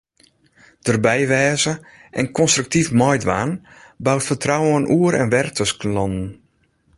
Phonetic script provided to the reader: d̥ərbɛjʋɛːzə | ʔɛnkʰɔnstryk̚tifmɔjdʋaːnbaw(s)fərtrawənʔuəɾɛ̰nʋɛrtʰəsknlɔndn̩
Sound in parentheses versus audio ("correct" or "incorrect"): incorrect